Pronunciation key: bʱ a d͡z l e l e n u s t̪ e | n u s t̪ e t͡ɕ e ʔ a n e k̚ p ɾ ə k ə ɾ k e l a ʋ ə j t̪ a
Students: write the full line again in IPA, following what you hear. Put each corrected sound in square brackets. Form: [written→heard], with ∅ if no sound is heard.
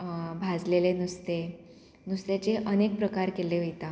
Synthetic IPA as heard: bʱ a d͡z l e l e n u s t̪ e | n u s t̪ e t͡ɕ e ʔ [a→ə] n e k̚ p ɾ ə k [ə→a] ɾ k e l [a→e] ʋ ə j t̪ a